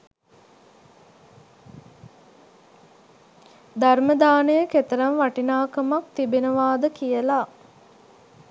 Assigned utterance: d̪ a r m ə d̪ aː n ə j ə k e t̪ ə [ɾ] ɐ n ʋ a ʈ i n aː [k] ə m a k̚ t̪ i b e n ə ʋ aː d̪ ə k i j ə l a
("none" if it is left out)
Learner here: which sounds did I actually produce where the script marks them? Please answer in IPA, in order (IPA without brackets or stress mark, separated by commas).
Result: ɾ, k